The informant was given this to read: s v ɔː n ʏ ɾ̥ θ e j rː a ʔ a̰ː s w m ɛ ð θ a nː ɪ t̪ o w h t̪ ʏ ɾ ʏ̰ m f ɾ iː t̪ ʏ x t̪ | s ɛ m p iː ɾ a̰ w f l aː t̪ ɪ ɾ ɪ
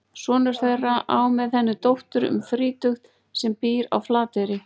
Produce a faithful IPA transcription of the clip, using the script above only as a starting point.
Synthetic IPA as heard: s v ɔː n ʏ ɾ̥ θ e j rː a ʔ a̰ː w m ɛ ð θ ɛ nː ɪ t̪ o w h t̪ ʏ ɾ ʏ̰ m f ɾ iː t̪ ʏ x t̪ | s ɛ m p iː ɾ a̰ w f l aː t̪ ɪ ɾ ɪ